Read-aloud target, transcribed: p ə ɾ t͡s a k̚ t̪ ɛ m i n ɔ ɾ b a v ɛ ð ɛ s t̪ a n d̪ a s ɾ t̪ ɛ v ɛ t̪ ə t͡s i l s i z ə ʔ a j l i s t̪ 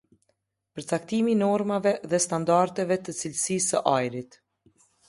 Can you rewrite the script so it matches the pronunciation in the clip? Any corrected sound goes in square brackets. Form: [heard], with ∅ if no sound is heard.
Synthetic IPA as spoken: p ə ɾ t͡s a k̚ t̪ [i] m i n ɔ ɾ [m] a v ɛ ð ɛ s t̪ a n d̪ a [∅] ɾ t̪ ɛ v ɛ t̪ ə t͡s i l s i [s] ə ʔ a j [ɾ] i [∅] t̪

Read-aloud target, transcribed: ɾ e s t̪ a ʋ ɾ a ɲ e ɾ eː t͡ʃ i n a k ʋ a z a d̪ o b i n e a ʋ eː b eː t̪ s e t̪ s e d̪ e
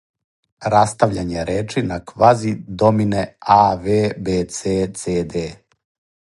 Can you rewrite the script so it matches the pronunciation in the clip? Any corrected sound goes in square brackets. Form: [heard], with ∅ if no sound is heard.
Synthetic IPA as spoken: ɾ [a] s t̪ a ʋ [ʎ] a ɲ e ɾ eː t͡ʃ i n a k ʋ a z [i] d̪ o [m] i n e a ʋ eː b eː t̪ s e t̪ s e d̪ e

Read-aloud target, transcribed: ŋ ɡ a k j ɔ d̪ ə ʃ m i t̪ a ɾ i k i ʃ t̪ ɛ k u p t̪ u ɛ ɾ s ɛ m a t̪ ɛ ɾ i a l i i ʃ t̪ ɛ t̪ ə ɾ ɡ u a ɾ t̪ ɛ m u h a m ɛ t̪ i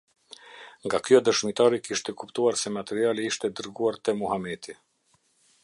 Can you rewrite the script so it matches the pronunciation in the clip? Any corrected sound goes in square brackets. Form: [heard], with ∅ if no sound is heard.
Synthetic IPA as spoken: ŋ ɡ a k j ɔ d̪ ə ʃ m i t̪ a ɾ i k i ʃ t̪ ɛ k u p t̪ u [a] ɾ s ɛ m a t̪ ɛ ɾ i a l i i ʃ t̪ ɛ [d̪] ə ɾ ɡ u a ɾ t̪ ɛ m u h a m ɛ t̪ i

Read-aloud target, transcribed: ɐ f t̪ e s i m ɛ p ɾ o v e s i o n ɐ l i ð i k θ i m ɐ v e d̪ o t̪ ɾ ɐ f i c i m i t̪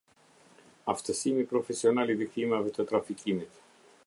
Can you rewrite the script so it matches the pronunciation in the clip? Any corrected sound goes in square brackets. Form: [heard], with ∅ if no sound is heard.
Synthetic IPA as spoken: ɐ f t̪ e s i m [i] p ɾ o [f] e s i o n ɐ l i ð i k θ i m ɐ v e [t̪] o t̪ ɾ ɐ f i c i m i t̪

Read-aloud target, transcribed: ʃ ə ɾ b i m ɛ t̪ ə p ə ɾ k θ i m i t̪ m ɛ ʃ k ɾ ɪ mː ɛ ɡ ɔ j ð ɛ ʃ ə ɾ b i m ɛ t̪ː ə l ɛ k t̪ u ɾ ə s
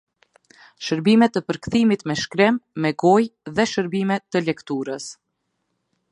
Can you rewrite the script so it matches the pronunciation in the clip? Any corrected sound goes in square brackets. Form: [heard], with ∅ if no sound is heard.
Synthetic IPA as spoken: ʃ ə ɾ b i m ɛ t̪ ə p ə ɾ k θ i m i t̪ m ɛ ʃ k ɾ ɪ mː ɛ ɡ ɔ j ð ɛ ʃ ə ɾ b i m ɛ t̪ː ə l ɛ k t̪ u ɾ ə s

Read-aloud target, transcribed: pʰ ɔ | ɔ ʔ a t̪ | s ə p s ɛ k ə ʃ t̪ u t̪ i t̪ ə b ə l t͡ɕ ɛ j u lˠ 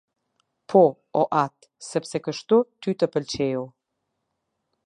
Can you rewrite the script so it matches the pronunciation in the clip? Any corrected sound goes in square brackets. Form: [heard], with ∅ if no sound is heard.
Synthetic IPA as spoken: pʰ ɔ | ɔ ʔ a t̪ | s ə p s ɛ k ə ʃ t̪ u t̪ [y] t̪ ə [p] ə l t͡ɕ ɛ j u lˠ

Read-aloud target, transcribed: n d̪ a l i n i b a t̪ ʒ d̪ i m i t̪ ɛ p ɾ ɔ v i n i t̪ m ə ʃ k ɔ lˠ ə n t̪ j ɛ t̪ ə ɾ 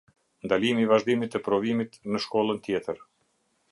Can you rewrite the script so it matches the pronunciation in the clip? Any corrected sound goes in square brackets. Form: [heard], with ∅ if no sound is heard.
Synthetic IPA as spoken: n d̪ a l i [m] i [v] a [∅] ʒ d̪ i m i t̪ ɛ p ɾ ɔ v i [m] i t̪ [n] ə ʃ k ɔ lˠ ə n t̪ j ɛ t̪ ə ɾ

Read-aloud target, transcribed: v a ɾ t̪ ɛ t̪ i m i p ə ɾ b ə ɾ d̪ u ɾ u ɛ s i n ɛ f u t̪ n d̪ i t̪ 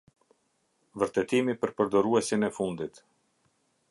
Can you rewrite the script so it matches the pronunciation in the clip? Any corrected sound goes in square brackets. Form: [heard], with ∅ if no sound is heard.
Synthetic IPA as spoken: v [ə] ɾ t̪ ɛ t̪ i m i p ə ɾ [p] ə ɾ d̪ [ɔ] ɾ u ɛ s i n ɛ f u [∅] n d̪ i t̪

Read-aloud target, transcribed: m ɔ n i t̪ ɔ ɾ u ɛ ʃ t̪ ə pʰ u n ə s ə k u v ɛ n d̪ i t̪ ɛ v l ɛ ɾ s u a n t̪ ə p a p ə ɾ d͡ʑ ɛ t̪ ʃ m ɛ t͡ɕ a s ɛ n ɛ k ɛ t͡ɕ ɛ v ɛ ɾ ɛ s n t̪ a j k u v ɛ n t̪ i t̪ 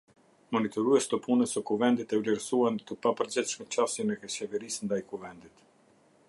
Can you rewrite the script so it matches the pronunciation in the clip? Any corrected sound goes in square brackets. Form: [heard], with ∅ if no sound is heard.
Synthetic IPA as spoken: m ɔ n i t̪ ɔ ɾ u ɛ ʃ t̪ ə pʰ u n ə s ə k u v ɛ n d̪ i t̪ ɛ v l ɛ ɾ s u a n t̪ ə p a p ə ɾ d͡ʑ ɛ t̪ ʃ m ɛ t͡ɕ a s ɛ n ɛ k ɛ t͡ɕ ɛ v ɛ ɾ [i] s n [d̪] a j k u v ɛ n [d̪] i t̪

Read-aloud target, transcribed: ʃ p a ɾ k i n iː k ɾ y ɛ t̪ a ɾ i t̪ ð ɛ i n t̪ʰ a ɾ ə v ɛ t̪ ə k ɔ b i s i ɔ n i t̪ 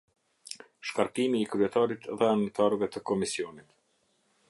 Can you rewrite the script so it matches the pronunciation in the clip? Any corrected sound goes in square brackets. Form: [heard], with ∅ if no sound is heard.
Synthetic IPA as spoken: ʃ [k] a ɾ k i [m] iː k ɾ y ɛ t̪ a ɾ i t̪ ð ɛ [a] n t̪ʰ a ɾ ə v ɛ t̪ ə k ɔ [m] i s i ɔ n i t̪

